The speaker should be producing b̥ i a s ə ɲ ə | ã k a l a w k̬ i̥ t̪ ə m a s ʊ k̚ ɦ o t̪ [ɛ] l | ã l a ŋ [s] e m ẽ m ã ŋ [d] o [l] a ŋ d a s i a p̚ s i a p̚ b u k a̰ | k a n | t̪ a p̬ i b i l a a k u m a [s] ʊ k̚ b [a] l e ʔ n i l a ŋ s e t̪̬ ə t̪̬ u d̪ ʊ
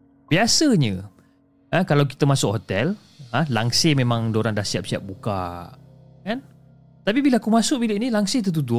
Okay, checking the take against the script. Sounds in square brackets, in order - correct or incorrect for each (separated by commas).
correct, correct, correct, incorrect, correct, incorrect